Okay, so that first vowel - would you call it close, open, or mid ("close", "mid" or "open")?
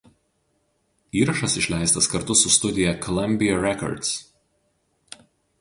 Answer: close